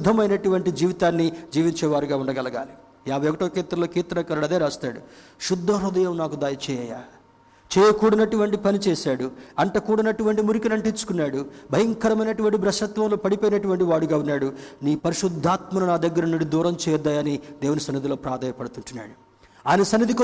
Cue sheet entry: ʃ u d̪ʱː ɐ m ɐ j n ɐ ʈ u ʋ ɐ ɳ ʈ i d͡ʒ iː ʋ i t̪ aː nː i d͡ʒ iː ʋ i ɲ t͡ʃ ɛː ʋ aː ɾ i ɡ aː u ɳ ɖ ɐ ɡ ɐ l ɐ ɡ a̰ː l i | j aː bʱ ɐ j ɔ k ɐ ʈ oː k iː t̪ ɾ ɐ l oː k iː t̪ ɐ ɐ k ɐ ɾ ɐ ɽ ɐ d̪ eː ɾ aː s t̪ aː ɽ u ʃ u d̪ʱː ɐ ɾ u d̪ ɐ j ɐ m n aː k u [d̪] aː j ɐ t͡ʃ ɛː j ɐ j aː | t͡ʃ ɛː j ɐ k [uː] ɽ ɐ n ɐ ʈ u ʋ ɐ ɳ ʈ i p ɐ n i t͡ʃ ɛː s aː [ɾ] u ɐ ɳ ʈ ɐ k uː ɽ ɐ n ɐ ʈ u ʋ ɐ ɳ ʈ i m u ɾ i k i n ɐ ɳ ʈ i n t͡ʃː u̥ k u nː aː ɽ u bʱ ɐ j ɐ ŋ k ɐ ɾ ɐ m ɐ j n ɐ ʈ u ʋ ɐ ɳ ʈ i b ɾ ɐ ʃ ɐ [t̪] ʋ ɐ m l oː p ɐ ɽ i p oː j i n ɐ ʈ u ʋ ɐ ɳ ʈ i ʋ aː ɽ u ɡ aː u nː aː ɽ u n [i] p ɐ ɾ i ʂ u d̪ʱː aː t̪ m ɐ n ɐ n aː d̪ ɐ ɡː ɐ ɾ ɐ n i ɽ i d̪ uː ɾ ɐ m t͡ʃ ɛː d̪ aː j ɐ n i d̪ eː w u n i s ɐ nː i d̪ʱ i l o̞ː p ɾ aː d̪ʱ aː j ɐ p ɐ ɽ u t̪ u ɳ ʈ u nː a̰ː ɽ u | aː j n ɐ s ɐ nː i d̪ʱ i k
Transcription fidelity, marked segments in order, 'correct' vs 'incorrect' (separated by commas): correct, correct, incorrect, correct, incorrect